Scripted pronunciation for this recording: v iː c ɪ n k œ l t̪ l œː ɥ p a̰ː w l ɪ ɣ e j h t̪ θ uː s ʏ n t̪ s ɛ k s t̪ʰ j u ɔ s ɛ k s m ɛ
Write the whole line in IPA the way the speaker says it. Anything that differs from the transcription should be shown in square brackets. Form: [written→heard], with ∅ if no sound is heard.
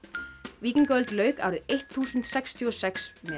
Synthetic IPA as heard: v iː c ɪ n k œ l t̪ l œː ɥ [p→k] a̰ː w [l→ɾ] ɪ [ɣ→ð] e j h t̪ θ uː s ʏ n t̪ s ɛ k s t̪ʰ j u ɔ s ɛ k s m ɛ